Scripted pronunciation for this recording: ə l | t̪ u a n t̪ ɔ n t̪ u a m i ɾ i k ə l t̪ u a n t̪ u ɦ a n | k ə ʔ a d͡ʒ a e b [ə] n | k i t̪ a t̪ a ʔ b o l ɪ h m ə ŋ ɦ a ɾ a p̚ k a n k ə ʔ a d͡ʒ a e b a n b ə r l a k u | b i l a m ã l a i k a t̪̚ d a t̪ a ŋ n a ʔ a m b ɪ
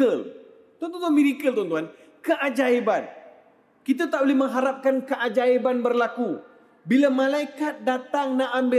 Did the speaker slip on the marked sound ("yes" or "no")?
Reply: yes